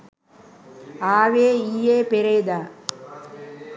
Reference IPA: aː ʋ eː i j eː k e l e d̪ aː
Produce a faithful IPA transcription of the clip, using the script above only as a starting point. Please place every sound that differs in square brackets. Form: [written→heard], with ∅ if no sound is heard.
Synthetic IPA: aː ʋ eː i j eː [k→p] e [l→ɾ] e d̪ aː